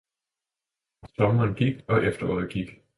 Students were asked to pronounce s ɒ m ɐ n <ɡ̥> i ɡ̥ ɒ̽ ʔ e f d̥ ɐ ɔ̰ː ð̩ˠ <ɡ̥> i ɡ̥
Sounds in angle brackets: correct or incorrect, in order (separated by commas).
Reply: correct, correct